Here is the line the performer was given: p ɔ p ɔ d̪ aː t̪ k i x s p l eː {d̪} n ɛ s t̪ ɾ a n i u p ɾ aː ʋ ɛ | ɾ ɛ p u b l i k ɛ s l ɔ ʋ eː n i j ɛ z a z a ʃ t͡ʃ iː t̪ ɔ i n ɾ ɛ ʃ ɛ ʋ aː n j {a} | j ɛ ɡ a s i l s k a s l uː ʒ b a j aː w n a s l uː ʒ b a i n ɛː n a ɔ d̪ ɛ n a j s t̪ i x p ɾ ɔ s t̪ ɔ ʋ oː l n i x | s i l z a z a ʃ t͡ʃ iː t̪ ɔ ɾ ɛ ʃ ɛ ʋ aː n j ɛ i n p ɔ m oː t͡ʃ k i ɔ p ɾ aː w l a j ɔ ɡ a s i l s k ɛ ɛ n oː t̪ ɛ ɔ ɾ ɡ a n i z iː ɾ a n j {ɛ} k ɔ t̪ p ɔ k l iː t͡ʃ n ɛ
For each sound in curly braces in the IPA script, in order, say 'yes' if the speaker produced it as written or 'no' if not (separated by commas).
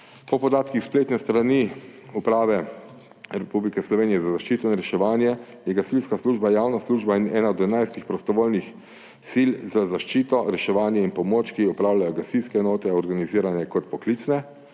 no, no, yes